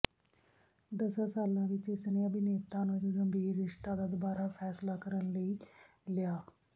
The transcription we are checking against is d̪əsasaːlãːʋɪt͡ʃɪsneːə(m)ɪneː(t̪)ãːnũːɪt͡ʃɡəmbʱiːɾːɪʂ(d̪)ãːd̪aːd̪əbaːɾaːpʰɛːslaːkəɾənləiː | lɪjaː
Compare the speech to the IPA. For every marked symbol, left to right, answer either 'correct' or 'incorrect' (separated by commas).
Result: incorrect, correct, incorrect